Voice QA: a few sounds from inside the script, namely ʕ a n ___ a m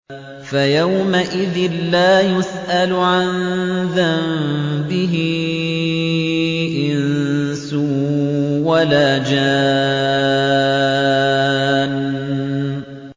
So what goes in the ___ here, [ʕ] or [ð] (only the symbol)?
ð